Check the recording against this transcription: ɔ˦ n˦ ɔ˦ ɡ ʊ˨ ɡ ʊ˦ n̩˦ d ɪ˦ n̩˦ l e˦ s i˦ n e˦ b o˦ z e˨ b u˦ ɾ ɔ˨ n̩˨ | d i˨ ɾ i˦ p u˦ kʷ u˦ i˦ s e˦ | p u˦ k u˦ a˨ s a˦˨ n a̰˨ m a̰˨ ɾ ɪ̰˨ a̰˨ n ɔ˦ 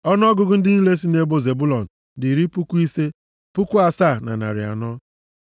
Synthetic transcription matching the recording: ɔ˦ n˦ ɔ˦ ɡ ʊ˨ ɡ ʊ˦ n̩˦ d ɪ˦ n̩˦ l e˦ s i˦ n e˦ b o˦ z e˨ b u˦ l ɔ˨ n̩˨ | d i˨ ɾ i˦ p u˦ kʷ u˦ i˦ s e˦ | p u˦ k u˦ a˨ s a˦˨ n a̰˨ n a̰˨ ɾ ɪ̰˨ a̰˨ n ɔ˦